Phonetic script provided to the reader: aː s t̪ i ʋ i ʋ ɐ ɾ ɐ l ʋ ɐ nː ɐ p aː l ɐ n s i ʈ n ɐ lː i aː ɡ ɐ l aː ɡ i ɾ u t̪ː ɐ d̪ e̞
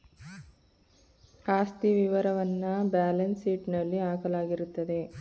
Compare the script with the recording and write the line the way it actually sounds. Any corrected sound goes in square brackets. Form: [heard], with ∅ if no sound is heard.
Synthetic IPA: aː s t̪ i ʋ i ʋ ɐ ɾ ɐ [∅] ʋ ɐ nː ɐ [b] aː l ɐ n s [iː] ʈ n ɐ lː i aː [k] ɐ l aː ɡ i ɾ u t̪ː ɐ d̪ e̞